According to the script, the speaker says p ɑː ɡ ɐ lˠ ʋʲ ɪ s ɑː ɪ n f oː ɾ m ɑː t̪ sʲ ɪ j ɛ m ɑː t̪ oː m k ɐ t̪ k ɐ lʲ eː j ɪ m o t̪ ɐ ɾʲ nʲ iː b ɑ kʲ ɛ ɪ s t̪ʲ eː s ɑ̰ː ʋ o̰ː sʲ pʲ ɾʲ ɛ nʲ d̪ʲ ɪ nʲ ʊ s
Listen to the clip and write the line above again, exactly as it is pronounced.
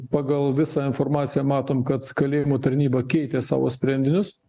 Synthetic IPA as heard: p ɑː ɡ ɐ lˠ ʋʲ ɪ s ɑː ɪ n f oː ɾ m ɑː t̪ sʲ ɪ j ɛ m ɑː t̪ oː m k ɐ t̪ k ɐ lʲ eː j ɪ m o t̪ ɐ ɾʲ nʲ iː b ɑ kʲ ɛ ɪ t̪ʲ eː s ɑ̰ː ʋ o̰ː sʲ pʲ ɾʲ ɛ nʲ d̪ʲ ɪ nʲ ʊ s

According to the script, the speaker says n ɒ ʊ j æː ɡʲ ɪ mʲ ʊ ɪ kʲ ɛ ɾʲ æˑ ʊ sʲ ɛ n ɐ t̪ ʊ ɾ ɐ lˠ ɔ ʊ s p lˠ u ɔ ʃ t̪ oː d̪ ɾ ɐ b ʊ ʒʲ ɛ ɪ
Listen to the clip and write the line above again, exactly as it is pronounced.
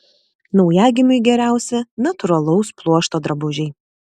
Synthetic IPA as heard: n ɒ ʊ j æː ɡʲ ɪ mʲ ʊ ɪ ɡʲ ɛ ɾʲ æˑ ʊ sʲ ɛ n ɐ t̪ ʊ ɾ ɐ lˠ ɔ ʊ s p lˠ u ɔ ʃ t̪ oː d̪ ɾ ɐ b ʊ ʒʲ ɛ ɪ

